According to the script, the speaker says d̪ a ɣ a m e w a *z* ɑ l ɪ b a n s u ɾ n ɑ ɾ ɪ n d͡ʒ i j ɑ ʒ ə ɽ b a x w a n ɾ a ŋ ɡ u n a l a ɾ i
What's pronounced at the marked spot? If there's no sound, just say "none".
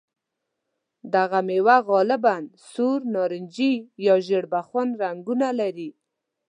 ɣ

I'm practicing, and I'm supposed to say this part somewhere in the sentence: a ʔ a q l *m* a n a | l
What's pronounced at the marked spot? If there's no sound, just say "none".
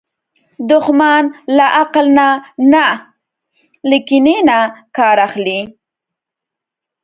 n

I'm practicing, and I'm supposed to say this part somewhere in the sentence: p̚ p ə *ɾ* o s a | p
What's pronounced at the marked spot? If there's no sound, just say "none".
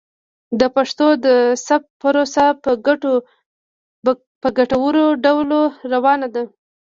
ɾ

